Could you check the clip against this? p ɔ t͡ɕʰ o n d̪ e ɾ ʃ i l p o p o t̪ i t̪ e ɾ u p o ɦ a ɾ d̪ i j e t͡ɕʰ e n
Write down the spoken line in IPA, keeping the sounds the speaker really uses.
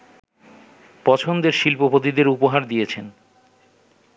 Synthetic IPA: p ɔ t͡ɕʰ o n d̪ e ɾ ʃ i l p o p o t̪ i d̪ e ɾ u p o ɦ a ɾ d̪ i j e t͡ɕʰ e n